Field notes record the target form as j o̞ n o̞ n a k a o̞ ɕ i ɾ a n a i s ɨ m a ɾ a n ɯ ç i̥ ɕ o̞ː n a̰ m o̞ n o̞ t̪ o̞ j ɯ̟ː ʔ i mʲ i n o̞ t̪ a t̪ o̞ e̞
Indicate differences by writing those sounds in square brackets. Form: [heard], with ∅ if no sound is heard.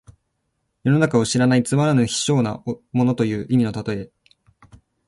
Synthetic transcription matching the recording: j o̞ n o̞ n a k a o̞ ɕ i ɾ a n a i [t͡s] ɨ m a ɾ a n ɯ ç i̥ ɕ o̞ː n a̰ m o̞ n o̞ t̪ o̞ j ɯ̟ː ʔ i mʲ i n o̞ t̪ a t̪ o̞ e̞